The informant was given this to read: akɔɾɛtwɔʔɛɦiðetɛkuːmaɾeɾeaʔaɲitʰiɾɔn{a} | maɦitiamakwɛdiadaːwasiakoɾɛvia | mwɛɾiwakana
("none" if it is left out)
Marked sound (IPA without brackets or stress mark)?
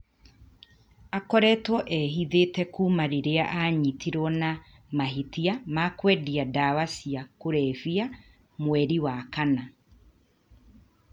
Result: a